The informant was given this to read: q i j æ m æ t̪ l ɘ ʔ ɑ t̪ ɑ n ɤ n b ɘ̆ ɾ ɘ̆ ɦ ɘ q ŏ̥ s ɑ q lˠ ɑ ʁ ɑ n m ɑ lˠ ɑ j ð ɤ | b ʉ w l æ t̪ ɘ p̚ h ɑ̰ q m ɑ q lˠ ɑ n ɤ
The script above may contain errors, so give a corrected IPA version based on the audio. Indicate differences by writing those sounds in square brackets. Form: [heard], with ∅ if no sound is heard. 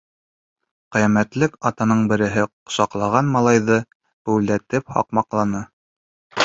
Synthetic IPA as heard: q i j æ m æ t̪ l ɘ [k] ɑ t̪ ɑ n ɤ [ɴ] b ɘ̆ ɾ ɘ̆ ɦ ɘ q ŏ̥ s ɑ q lˠ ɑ ʁ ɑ n m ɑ lˠ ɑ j ð ɤ | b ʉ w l æ t̪ ɘ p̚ h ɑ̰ q m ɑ q lˠ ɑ n ɤ